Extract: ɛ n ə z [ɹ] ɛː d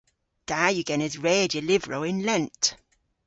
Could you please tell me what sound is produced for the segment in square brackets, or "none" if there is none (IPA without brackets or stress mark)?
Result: ɹ